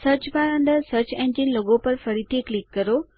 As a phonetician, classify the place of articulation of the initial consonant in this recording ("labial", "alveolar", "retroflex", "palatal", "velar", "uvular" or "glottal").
alveolar